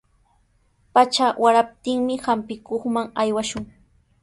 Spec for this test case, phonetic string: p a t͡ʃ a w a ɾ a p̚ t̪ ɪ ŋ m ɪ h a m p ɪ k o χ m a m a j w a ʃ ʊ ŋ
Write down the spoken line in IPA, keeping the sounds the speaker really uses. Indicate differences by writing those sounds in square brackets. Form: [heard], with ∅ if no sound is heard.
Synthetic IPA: p a t͡ʃ a w a ɾ a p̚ t̪ ɪ ŋ m ɪ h a m p ɪ k o χ m a [ŋ] a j w a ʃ ʊ ŋ